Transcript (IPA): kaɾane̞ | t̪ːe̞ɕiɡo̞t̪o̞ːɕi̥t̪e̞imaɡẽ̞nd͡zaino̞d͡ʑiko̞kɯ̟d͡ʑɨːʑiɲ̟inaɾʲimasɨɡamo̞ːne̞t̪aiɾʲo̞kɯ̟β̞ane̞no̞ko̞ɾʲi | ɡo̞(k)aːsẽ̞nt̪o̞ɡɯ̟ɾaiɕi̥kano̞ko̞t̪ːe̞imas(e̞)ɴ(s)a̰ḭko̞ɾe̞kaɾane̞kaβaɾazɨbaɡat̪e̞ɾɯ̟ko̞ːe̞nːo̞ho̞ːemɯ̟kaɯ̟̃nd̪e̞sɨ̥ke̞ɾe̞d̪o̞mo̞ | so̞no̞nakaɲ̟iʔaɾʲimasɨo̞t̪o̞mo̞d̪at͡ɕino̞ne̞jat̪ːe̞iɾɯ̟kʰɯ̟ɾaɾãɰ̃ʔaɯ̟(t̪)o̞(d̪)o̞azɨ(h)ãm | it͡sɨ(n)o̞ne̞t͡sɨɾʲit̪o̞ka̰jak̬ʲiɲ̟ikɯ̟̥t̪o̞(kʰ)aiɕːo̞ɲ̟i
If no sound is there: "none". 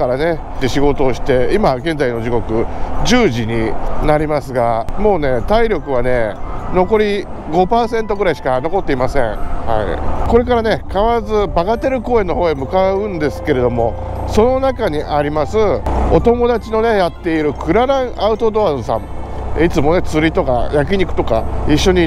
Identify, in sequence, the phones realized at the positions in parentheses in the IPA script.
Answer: p, ẽ̞, h, t̪, d̪, s, m, k

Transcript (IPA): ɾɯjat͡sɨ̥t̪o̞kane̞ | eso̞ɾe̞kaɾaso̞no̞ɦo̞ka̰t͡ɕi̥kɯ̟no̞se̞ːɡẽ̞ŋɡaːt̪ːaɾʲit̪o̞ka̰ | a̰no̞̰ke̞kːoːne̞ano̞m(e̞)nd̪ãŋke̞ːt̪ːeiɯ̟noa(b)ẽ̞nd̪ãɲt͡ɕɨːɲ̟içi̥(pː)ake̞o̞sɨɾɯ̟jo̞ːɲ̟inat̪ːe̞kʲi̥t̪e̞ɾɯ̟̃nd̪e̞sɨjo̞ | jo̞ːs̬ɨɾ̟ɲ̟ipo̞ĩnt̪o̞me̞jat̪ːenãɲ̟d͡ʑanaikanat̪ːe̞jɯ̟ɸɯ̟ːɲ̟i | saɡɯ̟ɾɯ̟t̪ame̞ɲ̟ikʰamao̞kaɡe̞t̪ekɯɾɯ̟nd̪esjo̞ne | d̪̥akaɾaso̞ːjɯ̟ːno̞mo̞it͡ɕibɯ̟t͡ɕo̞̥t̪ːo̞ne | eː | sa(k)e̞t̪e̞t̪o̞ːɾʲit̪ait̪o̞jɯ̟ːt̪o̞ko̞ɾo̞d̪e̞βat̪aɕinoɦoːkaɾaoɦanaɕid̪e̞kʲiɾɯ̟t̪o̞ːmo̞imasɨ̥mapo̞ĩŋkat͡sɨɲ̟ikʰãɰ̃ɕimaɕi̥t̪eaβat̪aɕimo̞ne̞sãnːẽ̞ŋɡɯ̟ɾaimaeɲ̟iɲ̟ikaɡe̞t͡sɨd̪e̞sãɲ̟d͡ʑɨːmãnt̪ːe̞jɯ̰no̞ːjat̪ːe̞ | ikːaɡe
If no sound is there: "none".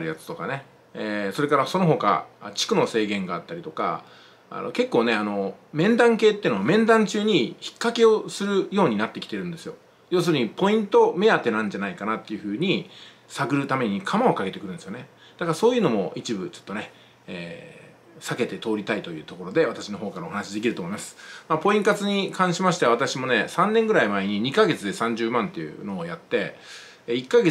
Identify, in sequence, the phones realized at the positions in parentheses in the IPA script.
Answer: ẽ̞, m, kː, k

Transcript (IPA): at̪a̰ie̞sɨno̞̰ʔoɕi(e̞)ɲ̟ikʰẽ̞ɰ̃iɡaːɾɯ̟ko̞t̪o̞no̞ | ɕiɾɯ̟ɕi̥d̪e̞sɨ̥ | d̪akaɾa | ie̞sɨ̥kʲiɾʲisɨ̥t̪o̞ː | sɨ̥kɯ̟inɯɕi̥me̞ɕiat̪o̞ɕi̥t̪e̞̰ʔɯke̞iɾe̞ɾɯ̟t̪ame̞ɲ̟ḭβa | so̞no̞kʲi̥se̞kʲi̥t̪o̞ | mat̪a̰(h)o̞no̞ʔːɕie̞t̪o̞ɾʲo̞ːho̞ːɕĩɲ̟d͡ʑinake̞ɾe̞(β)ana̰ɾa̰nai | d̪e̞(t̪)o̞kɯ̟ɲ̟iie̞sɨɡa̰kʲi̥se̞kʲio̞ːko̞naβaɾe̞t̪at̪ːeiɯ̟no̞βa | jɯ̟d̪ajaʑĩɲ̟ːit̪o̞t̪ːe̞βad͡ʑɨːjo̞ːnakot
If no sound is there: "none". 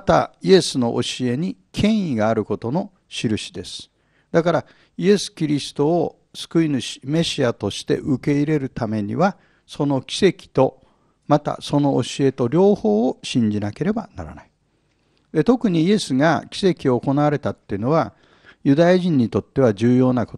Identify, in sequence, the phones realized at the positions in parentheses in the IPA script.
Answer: e̞, s, b, t̪

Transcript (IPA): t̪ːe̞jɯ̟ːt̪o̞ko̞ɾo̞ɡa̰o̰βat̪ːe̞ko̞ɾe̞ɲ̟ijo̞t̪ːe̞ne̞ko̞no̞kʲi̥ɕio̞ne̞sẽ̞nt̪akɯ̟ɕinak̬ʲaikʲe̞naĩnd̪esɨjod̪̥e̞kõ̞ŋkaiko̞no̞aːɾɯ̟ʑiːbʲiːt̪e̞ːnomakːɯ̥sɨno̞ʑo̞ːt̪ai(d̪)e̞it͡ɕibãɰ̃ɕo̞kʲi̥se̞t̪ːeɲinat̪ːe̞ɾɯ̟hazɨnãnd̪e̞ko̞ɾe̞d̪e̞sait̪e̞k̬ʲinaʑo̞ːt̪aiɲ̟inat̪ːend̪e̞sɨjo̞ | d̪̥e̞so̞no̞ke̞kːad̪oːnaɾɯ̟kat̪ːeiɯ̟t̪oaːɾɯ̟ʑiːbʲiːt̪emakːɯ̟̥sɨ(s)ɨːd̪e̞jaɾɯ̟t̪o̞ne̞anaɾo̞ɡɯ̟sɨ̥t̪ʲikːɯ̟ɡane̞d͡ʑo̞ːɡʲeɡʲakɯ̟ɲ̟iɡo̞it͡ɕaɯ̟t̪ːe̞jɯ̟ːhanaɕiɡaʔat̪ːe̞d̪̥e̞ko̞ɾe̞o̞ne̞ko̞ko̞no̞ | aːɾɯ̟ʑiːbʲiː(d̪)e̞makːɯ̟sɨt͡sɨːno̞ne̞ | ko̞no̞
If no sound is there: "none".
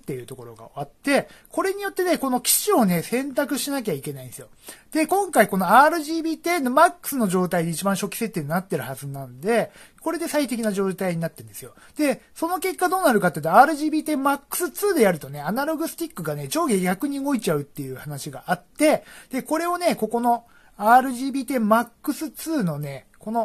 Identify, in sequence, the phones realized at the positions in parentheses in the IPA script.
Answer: d̪, t͡s, t̪

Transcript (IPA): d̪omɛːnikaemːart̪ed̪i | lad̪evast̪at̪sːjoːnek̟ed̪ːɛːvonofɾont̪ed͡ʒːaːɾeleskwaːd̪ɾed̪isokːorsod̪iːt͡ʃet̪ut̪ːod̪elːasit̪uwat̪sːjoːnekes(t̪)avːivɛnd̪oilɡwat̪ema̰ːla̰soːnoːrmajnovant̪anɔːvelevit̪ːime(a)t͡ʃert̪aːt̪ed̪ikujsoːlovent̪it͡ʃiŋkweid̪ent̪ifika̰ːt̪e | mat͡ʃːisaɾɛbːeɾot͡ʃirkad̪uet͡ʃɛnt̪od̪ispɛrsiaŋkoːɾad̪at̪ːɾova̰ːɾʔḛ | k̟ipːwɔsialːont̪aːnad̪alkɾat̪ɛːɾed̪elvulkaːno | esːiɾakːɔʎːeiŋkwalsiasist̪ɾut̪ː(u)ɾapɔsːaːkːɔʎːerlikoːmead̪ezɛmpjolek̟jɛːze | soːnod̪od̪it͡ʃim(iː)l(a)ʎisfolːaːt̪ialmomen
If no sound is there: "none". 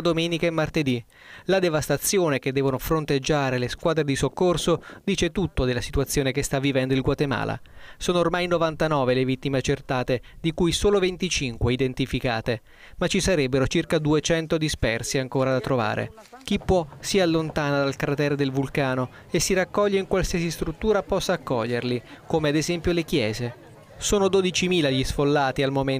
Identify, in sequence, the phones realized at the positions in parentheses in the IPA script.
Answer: t̪, a, uː, iː, a

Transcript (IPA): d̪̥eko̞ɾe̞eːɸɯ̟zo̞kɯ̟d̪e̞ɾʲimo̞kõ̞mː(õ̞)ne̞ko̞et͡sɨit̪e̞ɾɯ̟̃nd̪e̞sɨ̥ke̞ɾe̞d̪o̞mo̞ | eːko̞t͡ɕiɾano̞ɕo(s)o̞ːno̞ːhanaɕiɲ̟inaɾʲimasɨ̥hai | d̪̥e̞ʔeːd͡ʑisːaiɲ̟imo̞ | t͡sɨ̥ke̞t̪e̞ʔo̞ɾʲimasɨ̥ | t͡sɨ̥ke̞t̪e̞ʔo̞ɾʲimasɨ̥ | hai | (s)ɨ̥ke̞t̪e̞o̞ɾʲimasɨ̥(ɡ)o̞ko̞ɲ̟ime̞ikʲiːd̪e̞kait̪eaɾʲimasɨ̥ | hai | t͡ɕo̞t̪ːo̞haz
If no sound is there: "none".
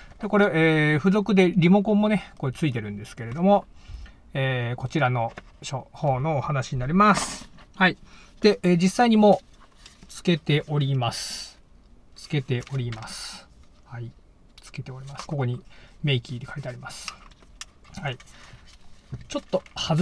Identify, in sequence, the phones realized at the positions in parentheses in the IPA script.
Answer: o̞, h, t͡s, k

